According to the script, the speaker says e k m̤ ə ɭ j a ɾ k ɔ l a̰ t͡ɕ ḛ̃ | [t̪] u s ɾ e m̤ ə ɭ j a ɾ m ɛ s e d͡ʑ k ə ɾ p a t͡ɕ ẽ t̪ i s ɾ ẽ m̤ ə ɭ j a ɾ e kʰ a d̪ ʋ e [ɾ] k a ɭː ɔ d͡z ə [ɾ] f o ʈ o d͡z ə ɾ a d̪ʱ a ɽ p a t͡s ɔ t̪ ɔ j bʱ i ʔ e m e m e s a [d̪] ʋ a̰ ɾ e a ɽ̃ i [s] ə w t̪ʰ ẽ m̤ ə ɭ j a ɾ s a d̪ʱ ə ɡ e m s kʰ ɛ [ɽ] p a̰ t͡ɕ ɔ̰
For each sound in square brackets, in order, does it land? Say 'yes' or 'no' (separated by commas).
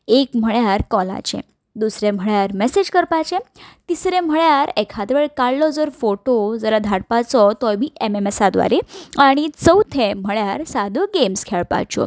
no, no, yes, yes, no, no